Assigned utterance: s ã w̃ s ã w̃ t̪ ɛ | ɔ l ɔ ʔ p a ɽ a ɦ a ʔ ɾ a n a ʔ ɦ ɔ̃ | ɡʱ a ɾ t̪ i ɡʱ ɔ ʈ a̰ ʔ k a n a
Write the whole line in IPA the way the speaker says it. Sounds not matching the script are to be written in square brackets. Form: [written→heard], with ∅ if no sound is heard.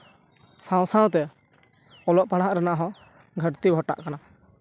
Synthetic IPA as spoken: s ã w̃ s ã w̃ t̪ ɛ | ɔ l ɔ ʔ p a ɽ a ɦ a ʔ ɾ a n a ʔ ɦ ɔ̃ | ɡʱ [a→ə] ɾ t̪ i ɡʱ ɔ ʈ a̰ ʔ k a n a